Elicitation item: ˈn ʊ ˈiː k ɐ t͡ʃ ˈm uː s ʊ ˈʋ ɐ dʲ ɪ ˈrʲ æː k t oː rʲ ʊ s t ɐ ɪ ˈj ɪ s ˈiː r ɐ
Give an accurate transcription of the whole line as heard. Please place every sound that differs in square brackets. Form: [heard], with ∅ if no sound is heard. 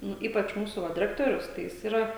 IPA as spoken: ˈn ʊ ˈiː [p] ɐ t͡ʃ ˈm uː s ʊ ˈʋ ɐ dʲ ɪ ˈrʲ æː k t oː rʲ ʊ s t ɐ ɪ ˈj ɪ s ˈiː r ɐ

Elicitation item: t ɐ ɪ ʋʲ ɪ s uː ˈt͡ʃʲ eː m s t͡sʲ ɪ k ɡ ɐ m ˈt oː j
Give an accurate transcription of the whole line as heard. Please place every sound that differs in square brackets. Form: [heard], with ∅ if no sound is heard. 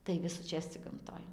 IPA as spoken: t ɐ ɪ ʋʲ ɪ s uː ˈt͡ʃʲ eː [∅] s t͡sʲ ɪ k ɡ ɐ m ˈt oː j

